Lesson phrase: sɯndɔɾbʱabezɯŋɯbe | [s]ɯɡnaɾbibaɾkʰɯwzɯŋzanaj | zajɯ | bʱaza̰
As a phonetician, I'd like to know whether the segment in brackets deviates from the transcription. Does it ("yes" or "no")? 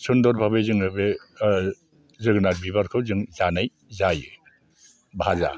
yes